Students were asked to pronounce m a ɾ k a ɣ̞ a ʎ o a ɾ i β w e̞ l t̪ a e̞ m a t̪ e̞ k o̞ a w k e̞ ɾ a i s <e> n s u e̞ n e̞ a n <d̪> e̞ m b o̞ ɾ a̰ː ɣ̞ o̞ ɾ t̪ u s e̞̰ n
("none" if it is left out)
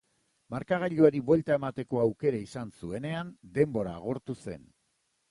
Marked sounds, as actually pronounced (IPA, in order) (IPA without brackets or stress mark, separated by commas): a, d̪